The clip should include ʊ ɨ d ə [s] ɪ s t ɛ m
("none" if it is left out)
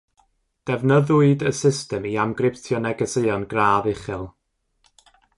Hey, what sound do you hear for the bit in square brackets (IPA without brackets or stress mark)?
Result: s